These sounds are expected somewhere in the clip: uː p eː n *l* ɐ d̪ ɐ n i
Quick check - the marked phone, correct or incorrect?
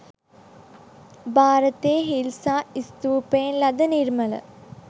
correct